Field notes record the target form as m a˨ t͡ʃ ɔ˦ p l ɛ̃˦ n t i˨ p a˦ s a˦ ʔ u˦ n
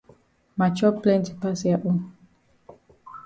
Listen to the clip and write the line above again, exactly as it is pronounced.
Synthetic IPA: m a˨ t͡ʃ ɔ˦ p l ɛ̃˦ n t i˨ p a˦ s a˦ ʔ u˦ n